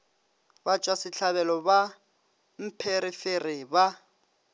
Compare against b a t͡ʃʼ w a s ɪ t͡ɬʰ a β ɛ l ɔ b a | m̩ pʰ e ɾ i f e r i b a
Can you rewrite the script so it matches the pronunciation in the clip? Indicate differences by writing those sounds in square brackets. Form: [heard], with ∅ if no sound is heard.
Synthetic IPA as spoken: b a t͡ʃʼ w a s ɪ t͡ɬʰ a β ɛ l ɔ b a | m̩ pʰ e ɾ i f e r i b a